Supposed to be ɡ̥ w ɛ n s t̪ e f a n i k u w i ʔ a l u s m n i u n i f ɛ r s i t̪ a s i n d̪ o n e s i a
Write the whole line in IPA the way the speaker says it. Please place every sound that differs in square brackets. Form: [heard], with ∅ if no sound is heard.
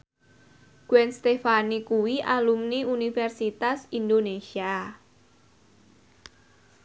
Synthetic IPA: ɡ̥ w ɛ n s t̪ e f a n i k u w i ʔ a l u [∅] m n i u n i f ɛ r s i t̪ a s i n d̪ o n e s i a